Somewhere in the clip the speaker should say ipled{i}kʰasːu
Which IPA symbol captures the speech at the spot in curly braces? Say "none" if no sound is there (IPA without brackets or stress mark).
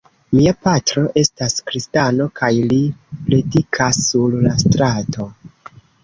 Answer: i